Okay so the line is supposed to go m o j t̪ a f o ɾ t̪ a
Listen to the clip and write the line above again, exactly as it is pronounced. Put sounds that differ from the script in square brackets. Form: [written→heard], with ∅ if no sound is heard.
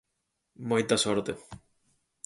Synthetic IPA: m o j t̪ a [f→s] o ɾ t̪ [a→e]

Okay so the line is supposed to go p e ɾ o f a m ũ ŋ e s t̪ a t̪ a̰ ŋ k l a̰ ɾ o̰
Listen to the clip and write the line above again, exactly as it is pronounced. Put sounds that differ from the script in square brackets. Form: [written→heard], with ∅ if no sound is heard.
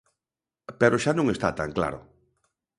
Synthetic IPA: p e ɾ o [f→ʃ] a [m→n] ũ ŋ e s t̪ a t̪ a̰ ŋ k l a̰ ɾ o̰

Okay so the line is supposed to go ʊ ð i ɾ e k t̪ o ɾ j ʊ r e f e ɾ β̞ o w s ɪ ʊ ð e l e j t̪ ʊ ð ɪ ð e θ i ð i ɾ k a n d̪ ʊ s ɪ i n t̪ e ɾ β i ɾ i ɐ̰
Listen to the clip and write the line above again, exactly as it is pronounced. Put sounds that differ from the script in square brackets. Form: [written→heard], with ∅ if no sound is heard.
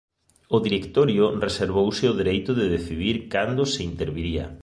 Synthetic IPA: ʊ ð i ɾ e k t̪ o ɾ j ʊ r e [f→s] e ɾ β̞ o w s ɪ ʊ ð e [l→ɾ] e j t̪ ʊ ð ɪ ð e θ i ð i ɾ k a n d̪ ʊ s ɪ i n t̪ e ɾ β i ɾ i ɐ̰

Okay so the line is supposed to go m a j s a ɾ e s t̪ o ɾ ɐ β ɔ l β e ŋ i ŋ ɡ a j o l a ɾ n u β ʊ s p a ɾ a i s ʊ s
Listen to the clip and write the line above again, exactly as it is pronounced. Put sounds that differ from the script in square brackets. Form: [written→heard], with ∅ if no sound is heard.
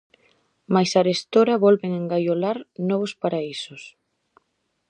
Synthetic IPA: m a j s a ɾ e s t̪ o ɾ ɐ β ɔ l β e ŋ [i→e] ŋ ɡ a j o l a ɾ n [u→ɔ] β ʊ s p a ɾ a i s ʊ s

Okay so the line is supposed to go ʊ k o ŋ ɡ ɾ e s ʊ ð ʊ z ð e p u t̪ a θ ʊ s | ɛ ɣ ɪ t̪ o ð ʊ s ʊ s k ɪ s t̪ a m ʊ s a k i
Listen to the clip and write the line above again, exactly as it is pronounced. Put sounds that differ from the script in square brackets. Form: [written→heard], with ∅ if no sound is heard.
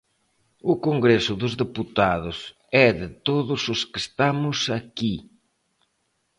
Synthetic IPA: ʊ k o ŋ ɡ ɾ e s ʊ ð ʊ z ð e p u t̪ a [θ→ð] ʊ s | ɛ [ɣ→ð] ɪ t̪ o ð ʊ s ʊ s k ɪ s t̪ a m ʊ s a k i

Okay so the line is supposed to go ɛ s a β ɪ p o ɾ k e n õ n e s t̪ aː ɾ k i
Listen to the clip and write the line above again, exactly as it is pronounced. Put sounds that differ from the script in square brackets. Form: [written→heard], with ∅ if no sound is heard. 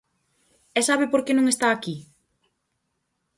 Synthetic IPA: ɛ s a β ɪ p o ɾ k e n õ [n→ŋ] e s t̪ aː [ɾ→∅] k i

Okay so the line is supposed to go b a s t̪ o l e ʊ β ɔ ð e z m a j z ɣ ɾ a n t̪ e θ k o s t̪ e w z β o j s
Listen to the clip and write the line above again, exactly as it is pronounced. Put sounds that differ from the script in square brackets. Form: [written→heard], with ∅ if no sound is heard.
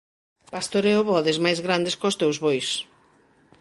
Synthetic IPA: [b→p] a s t̪ o [l→ɾ] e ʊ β ɔ ð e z m a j z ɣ ɾ a n [t̪→d̪] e [θ→s] k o s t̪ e w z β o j s

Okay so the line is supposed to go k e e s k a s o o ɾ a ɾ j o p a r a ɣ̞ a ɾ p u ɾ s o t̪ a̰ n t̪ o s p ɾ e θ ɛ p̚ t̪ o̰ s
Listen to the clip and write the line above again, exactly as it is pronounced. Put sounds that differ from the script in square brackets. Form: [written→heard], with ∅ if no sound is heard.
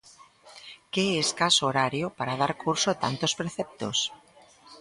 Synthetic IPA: k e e s k a s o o ɾ a ɾ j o p a [r→ɾ] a [ɣ̞→ð̞] a ɾ [p→k] u ɾ s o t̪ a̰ n t̪ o s p ɾ e θ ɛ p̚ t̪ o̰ s

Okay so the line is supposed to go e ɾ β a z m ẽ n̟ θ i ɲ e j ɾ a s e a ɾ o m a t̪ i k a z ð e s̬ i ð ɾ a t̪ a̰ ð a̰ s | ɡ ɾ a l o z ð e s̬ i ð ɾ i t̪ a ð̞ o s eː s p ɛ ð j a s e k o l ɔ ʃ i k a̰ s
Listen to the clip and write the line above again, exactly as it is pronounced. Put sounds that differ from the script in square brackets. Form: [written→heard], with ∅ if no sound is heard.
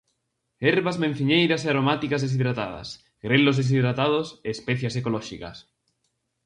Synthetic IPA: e ɾ β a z m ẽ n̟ θ i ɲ e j ɾ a s e a ɾ o m a t̪ i k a z ð e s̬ i ð ɾ a t̪ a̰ ð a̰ s | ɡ ɾ [a→e] l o z ð e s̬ i ð ɾ [i→a] t̪ a ð̞ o s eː s p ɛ [ð→θ] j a s e k o l ɔ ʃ i k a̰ s

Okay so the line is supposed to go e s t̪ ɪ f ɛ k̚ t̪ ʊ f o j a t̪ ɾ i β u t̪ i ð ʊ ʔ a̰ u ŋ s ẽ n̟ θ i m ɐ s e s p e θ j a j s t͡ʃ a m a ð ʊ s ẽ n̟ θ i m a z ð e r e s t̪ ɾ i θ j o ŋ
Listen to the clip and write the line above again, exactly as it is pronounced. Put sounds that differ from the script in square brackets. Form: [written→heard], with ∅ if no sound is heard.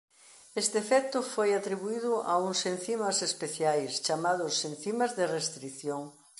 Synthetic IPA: e s t̪ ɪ f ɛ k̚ t̪ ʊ f o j a t̪ ɾ i β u [t̪→∅] i ð ʊ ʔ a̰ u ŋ s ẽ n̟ θ i m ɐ s e s p e θ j a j s t͡ʃ a m a ð ʊ s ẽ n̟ θ i m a z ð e r e s t̪ ɾ i θ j o ŋ

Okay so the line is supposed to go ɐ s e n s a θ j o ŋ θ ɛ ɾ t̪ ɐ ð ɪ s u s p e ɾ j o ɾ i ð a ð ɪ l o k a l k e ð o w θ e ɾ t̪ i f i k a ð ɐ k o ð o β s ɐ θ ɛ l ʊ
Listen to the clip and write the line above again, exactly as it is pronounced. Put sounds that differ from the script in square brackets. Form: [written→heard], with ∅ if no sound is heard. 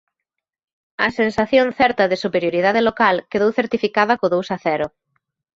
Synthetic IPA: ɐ s e n s a θ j o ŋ θ ɛ ɾ t̪ ɐ ð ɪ s u [s→∅] p e ɾ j o ɾ i ð a ð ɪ l o k a l k e ð o w θ e ɾ t̪ i f i k a ð ɐ k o ð o [β→w] s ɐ θ ɛ [l→ɾ] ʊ

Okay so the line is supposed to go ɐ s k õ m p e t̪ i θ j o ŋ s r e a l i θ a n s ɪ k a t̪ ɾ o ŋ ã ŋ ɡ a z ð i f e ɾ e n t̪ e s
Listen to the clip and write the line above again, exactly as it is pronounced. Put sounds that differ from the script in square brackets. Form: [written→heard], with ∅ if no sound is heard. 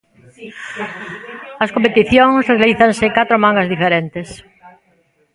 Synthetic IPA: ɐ s k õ m p e t̪ i θ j o ŋ s r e a l i θ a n s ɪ k a t̪ ɾ o [ŋ→m] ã ŋ ɡ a z ð i f e ɾ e n t̪ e s

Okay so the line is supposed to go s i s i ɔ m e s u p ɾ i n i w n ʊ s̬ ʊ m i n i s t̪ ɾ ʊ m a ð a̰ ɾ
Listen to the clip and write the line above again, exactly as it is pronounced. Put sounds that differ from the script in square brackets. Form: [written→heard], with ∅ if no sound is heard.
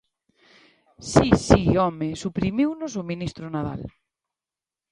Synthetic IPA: s i s i ɔ m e s u p ɾ i [n→m] i w n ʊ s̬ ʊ m i n i s t̪ ɾ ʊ [m→n] a ð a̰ [ɾ→l]

